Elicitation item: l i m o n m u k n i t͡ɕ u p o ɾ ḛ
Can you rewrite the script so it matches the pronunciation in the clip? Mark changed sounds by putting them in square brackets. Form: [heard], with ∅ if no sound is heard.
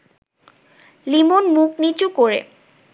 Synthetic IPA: l i m o n m u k n i t͡ɕ u [k] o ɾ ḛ